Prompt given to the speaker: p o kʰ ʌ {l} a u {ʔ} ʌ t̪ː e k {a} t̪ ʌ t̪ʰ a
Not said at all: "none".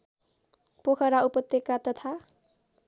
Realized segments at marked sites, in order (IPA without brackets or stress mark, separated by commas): ɾ, p, a